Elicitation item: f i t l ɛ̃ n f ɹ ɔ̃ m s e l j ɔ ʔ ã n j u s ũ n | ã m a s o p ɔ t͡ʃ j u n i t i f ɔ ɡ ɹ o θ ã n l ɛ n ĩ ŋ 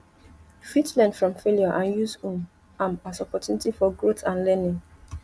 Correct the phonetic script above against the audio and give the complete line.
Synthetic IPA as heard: f i t l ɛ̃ n f ɹ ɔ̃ m f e l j ɔ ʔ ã n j u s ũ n | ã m a s ɔ p ɔ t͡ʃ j u n i t i f ɔ ɡ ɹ o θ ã n l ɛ n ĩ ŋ